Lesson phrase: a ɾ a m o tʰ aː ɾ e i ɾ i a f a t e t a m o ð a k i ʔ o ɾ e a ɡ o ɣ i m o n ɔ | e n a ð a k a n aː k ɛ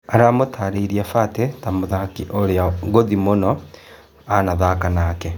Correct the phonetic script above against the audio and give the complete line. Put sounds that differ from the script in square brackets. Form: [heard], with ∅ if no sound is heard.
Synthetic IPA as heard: a ɾ a m o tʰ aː ɾ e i ɾ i a f a t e t a m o ð a k i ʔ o ɾ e a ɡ o [ð] i m o n ɔ | [a] n a ð a k a n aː k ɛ